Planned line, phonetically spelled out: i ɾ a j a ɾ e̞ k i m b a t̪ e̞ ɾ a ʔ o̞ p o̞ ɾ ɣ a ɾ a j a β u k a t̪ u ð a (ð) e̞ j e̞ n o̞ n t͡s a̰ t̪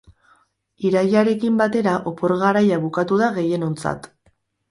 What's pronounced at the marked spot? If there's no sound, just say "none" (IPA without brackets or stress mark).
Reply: ɣ